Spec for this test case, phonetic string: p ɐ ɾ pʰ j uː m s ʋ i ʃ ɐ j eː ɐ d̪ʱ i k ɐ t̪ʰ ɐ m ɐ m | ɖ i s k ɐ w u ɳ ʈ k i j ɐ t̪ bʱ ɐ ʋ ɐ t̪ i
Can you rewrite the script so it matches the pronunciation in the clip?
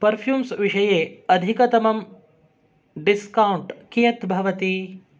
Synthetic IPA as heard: p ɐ ɾ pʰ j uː m s ʋ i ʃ ɐ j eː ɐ d̪ʱ i k ɐ t̪ ɐ m ɐ m | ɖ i s k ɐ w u ɳ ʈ k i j ɐ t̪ bʱ ɐ ʋ ɐ t̪ i